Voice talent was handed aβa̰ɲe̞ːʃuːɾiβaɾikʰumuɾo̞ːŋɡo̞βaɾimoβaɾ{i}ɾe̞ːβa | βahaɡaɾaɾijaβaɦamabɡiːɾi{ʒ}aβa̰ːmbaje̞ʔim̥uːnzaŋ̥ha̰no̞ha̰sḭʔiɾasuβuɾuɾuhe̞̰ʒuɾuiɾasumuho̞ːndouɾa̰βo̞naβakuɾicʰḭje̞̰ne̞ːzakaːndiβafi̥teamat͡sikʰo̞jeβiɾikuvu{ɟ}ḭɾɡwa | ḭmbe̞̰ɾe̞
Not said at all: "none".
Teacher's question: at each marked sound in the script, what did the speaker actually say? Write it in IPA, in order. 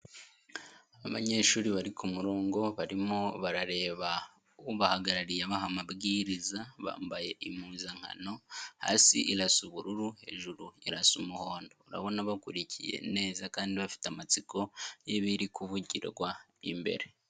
a, z, ɟ

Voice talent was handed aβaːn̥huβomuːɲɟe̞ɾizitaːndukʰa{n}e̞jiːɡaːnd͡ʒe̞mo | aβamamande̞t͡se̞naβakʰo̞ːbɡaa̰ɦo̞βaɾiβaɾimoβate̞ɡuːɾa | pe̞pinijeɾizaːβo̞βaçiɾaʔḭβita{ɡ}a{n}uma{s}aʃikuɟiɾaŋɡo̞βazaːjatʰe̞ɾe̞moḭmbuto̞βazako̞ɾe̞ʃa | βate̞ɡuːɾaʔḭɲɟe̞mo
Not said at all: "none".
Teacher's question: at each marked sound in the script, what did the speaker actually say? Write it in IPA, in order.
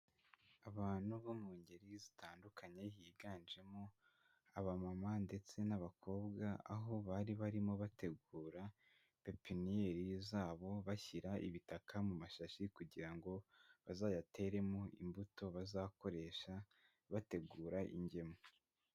ɲ, k, m, ʃ

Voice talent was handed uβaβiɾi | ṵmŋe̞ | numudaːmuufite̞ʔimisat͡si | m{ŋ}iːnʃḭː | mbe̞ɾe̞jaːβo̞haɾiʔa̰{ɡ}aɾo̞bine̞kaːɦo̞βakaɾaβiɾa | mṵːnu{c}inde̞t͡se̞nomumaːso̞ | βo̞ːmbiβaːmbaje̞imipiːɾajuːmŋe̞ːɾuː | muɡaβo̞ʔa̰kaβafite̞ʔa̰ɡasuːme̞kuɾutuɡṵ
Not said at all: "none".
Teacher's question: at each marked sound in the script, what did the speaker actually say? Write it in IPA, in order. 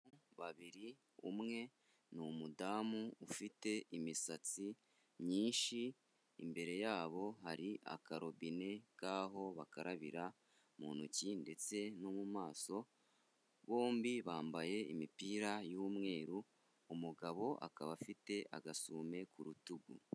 ɲ, k, c

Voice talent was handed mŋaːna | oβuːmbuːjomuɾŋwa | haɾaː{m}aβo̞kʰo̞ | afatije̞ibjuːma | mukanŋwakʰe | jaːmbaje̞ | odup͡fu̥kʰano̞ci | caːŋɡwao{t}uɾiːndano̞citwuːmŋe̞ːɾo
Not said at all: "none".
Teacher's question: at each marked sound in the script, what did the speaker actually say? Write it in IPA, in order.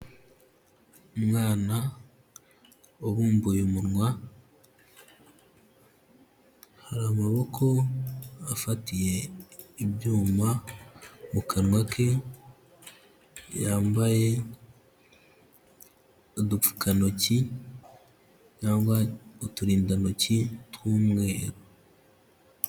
m, t

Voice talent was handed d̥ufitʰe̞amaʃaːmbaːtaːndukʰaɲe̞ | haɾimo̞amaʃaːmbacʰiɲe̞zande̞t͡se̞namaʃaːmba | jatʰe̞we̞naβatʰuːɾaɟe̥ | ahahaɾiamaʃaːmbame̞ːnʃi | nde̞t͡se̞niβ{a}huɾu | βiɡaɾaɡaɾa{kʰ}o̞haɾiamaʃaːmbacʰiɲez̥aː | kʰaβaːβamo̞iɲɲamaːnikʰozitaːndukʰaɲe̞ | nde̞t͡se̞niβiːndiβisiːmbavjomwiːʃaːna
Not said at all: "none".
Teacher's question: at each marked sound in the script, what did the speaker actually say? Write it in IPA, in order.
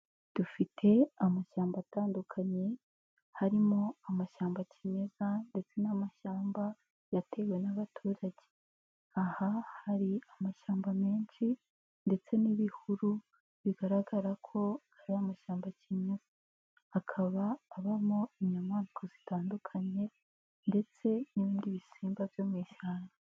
i, kʰ

